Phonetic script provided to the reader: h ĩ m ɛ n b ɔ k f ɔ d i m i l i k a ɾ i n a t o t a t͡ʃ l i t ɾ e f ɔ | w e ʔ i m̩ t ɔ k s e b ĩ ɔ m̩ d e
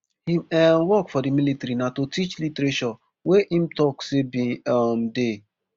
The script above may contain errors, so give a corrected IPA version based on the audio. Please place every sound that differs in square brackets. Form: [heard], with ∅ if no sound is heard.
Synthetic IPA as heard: h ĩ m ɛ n [w] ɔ k f ɔ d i m i l i [t] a ɾ i n a t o t [i] t͡ʃ l i t ɾ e [ʃ] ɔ | w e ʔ i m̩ t ɔ k s e b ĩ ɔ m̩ d e